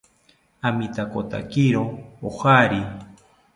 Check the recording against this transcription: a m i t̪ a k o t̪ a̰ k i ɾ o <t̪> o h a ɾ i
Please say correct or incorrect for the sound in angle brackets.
incorrect